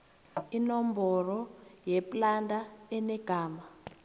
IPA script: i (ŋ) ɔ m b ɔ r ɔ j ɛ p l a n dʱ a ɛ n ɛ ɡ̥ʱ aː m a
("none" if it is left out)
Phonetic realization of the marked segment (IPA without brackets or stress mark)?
n